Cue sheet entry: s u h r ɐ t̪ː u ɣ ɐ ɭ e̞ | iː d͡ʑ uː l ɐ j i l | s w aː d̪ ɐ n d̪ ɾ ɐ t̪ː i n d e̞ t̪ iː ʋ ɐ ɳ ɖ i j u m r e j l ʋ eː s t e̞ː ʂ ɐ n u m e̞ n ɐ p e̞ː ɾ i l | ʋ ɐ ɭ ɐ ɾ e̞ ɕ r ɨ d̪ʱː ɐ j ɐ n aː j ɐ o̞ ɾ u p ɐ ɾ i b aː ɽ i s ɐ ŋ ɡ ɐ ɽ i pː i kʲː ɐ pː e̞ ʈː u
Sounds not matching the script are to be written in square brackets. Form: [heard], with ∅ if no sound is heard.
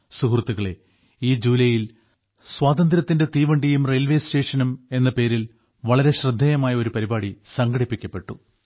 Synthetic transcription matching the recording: s u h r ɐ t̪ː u ɣ ɐ ɭ e̞ | iː d͡ʑ uː l ɐ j i l | s w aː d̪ ɐ n d̪ ɾ ɐ t̪ː i n d e̞ t̪ iː ʋ ɐ ɳ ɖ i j u m r e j l ʋ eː s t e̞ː ʂ ɐ n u m e̞ [nː] ɐ p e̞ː ɾ i l | ʋ ɐ ɭ ɐ ɾ e̞ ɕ r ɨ d̪ʱː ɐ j ɐ [m] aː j ɐ o̞ ɾ u p ɐ ɾ i b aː ɽ i s ɐ ŋ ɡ ɐ ɽ i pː i kʲː ɐ pː e̞ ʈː u